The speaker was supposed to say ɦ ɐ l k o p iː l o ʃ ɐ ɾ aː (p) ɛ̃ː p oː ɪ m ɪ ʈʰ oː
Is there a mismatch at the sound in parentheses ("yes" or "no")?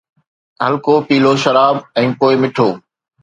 yes